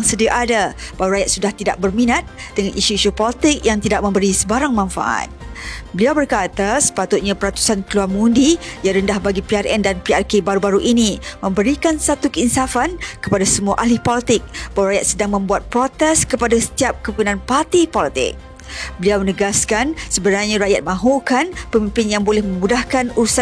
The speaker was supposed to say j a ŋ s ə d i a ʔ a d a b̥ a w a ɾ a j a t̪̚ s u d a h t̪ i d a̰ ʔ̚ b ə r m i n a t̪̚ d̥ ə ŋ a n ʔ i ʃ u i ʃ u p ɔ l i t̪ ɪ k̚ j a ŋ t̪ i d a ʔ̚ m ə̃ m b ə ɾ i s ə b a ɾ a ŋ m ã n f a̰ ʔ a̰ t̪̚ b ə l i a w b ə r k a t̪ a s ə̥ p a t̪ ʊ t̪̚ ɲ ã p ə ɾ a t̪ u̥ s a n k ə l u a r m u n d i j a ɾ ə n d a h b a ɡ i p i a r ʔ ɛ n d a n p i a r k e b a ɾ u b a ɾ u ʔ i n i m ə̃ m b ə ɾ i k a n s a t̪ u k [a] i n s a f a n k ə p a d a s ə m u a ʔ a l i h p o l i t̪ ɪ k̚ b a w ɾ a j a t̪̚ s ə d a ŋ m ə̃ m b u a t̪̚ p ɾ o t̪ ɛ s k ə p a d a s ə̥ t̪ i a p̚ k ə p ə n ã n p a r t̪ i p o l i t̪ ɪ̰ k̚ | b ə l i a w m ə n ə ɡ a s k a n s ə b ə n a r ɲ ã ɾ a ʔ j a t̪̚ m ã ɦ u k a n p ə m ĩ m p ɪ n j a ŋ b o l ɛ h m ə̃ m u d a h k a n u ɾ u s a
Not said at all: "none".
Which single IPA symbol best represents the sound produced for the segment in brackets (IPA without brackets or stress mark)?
ə